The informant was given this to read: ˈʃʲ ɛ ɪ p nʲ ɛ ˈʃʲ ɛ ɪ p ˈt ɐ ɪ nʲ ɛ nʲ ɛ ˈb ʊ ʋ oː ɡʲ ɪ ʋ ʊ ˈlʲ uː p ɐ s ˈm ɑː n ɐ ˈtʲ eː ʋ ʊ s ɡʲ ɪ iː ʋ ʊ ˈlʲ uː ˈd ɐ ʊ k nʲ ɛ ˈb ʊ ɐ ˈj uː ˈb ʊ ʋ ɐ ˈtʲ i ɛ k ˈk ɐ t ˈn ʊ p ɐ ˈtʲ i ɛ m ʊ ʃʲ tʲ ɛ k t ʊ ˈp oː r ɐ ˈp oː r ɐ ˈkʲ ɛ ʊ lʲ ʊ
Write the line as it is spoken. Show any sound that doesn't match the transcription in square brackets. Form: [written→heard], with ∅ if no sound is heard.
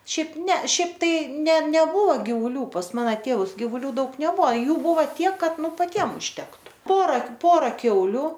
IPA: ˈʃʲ ɛ ɪ p nʲ ɛ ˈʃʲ ɛ ɪ p ˈt ɐ ɪ nʲ ɛ nʲ ɛ ˈb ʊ ʋ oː ɡʲ ɪ ʋ ʊ ˈlʲ uː p ɐ s ˈm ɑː n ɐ ˈtʲ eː ʋ ʊ s ɡʲ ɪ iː ʋ ʊ ˈlʲ uː ˈd ɐ ʊ k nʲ ɛ ˈb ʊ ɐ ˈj uː ˈb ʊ ʋ ɐ ˈtʲ i ɛ k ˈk ɐ t ˈn ʊ p ɐ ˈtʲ i ɛ m ʊ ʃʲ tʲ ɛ k t ʊ ˈp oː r ɐ ˈp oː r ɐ ˈkʲ ɛ ʊ lʲ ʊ